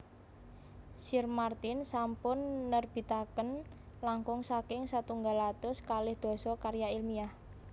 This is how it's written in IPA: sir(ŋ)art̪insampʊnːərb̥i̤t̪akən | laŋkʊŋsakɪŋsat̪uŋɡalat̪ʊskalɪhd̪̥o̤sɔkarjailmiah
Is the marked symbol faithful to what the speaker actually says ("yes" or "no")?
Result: no